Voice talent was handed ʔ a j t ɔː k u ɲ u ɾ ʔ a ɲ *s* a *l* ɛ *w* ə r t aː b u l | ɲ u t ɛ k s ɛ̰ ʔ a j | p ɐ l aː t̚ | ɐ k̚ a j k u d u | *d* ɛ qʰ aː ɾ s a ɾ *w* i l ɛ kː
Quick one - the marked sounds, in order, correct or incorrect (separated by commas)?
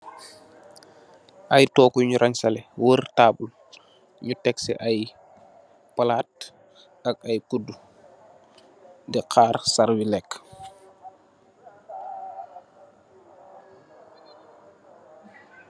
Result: correct, correct, correct, correct, correct